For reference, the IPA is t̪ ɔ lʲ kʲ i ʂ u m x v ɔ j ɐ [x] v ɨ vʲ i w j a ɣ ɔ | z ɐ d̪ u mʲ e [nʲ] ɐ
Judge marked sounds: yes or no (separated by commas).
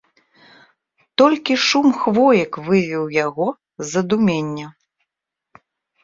no, no